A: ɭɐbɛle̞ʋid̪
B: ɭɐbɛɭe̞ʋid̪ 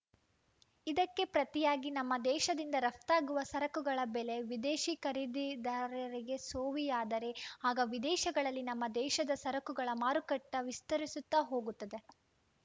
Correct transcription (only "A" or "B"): A